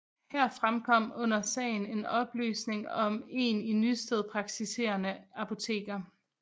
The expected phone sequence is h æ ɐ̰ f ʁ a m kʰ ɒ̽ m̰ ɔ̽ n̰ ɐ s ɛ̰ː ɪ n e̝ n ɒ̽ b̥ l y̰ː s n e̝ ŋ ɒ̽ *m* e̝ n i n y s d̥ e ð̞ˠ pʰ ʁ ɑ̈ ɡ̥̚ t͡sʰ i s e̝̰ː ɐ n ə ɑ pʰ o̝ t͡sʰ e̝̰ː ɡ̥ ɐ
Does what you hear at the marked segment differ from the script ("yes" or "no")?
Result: no